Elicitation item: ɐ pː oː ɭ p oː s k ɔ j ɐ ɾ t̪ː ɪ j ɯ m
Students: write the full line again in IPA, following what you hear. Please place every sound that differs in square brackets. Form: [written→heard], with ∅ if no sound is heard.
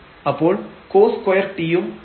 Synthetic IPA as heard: ɐ pː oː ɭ [p→k] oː s k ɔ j ɐ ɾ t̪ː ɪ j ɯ m